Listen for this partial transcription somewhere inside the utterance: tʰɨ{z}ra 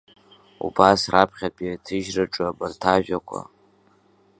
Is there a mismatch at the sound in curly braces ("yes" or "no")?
yes